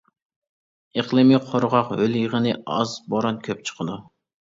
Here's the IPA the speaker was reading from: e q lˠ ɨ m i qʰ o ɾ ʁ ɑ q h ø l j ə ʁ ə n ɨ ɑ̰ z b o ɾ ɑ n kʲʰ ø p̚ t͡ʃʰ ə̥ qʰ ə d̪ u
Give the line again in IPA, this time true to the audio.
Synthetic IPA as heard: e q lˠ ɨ m i qʰ o ɾ ʁ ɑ q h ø l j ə ʁ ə n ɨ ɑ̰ z b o ɾ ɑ n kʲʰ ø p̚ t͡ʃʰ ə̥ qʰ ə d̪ u

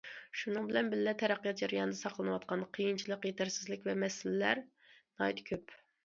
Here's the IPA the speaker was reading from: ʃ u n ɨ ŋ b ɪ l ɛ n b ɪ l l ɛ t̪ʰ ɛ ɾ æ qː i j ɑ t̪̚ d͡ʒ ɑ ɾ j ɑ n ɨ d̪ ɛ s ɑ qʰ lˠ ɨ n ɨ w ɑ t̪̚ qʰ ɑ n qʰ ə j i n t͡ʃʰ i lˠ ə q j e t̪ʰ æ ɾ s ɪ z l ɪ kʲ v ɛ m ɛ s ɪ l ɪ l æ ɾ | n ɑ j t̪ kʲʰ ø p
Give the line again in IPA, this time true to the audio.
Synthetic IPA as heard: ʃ u n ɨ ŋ b ɪ l ɛ n b ɪ l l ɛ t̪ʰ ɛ ɾ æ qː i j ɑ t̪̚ d͡ʒ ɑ ɾ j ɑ n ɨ d̪ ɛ s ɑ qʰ lˠ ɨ n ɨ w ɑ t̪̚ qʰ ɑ n qʰ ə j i n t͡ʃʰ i lˠ ə q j e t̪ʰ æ ɾ s ɪ z l ɪ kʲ v ɛ m ɛ s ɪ l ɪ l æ ɾ | n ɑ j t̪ kʲʰ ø p

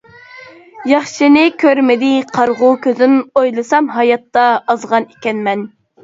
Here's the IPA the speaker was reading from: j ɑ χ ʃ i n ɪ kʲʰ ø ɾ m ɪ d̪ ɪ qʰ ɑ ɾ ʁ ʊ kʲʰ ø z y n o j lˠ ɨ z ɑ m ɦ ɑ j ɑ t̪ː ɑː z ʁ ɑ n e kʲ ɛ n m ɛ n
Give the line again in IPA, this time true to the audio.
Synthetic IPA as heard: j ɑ χ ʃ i n ɪ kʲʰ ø ɾ m ɪ d̪ ɪ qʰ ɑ ɾ ʁ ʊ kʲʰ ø z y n o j lˠ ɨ s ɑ m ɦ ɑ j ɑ t̪ː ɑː z ʁ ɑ n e kʲ ɛ n m ɛ n

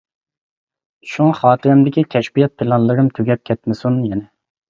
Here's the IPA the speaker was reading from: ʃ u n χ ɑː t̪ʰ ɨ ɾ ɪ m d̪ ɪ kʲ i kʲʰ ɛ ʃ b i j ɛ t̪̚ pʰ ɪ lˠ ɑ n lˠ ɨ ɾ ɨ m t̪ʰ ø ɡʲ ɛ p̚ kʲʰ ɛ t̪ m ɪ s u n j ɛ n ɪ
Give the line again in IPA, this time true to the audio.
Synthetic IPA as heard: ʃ u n χ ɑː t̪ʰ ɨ ɾ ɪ m d̪ ɪ kʲ i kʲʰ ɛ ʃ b i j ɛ t̪̚ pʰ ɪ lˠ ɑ n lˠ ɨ ɾ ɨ m t̪ʰ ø ɡʲ ɛ p̚ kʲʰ ɛ t̪ m ɪ s u n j ɛ n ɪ

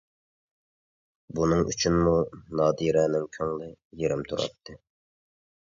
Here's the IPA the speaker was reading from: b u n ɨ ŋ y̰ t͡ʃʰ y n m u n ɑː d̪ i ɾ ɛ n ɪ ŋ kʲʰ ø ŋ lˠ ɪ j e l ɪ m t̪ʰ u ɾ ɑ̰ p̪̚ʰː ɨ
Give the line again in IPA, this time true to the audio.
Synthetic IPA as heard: b u n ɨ ŋ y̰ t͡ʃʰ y n m u n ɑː d̪ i ɾ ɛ n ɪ ŋ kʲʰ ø ŋ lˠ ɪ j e ɾ ɪ m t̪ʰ u ɾ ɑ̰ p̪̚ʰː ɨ

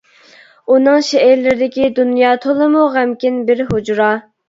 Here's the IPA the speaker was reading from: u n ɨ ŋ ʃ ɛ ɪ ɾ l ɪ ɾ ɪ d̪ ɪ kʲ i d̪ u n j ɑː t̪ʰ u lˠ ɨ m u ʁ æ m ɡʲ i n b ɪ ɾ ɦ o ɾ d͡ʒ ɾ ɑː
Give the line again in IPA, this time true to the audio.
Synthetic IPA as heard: u n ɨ ŋ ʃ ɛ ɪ ɾ l ɪ ɾ ɪ d̪ ɪ kʲ i d̪ u n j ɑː t̪ʰ o lˠ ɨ m u ʁ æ m kʲ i n b ɪ ɾ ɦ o d͡ʒ ɾ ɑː

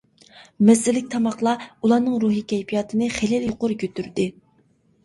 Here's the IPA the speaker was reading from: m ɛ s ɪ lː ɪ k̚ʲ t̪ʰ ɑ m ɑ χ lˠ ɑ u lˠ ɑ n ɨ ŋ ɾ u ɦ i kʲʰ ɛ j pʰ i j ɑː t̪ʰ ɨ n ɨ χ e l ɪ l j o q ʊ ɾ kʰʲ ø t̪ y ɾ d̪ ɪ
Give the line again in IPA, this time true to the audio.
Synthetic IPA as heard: m ɛ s ɪ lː ɪ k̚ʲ t̪ʰ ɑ m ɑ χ lˠ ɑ u lˠ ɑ n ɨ ŋ ɾ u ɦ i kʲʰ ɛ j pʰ i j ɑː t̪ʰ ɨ n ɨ χ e l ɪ l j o q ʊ ɾ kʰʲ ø t̪ y ɾ d̪ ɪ

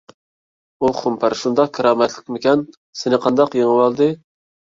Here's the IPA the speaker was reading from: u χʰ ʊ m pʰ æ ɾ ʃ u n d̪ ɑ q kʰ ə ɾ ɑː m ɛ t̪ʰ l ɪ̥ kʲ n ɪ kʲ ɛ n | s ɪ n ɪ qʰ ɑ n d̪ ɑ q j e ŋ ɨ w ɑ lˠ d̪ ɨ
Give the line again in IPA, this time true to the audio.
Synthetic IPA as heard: u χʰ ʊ m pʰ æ ɾ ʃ u n d̪ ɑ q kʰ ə ɾ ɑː m ɛ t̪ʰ l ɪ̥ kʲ m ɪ kʲ ɛ n | s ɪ n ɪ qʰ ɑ n d̪ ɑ q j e ŋ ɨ w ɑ lˠ d̪ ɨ

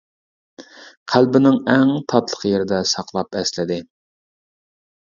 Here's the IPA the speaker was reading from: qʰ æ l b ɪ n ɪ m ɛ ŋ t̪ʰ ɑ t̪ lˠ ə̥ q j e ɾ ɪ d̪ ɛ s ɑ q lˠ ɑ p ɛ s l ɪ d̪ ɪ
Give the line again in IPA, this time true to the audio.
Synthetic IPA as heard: qʰ æ l b ɪ n ɪ ŋ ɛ ŋ t̪ʰ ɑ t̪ lˠ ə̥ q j e ɾ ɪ d̪ ɛ s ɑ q lˠ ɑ p ɛ s l ɪ d̪ ɪ

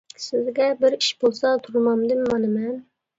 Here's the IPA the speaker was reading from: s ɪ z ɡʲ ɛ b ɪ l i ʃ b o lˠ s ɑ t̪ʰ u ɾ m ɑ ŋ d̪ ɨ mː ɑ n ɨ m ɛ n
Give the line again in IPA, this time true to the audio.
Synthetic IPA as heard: s ɪ z ɡʲ ɛ b ɪ ɾ i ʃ b o lˠ s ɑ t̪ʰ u ɾ m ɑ m d̪ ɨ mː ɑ n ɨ m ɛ n

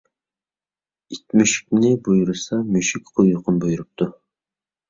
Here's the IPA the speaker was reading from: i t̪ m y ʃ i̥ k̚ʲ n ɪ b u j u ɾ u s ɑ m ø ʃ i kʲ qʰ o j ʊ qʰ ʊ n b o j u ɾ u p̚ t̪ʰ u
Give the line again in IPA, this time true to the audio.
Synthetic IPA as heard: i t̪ m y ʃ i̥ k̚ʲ n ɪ b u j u ɾ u s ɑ m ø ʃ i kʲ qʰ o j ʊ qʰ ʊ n b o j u ɾ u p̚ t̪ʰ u

